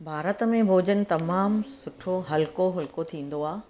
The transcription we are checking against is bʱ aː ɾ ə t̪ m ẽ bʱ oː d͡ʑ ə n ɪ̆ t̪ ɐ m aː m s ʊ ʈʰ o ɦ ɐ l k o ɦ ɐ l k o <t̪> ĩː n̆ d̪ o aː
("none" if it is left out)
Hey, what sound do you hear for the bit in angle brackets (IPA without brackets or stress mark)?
t̪ʰ